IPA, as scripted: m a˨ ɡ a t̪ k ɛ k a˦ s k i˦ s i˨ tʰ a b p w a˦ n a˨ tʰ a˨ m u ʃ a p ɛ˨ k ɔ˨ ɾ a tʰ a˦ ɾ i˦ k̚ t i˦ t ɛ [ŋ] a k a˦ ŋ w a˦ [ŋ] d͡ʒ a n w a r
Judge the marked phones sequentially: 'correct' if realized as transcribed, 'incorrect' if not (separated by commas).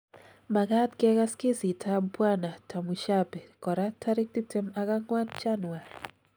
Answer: incorrect, incorrect